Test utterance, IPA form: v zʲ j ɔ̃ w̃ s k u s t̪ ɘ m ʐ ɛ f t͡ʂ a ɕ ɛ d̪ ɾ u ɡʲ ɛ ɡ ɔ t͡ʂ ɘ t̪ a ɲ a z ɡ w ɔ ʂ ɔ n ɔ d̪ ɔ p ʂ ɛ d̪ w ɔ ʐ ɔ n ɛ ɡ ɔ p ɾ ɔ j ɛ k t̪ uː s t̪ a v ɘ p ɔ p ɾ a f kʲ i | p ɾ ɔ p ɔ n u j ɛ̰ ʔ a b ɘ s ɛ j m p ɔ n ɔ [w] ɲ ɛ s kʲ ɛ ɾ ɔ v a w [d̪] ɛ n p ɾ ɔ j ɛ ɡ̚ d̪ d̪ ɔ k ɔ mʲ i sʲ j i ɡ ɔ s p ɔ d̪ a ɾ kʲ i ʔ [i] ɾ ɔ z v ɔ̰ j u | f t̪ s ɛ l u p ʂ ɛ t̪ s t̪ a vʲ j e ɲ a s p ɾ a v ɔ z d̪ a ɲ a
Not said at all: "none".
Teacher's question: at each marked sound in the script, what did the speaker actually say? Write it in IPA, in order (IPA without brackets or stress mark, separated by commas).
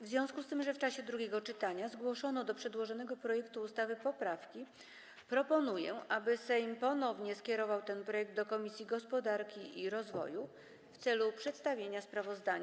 v, t̪, i